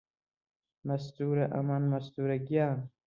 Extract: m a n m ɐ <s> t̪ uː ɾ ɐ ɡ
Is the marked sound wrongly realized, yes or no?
no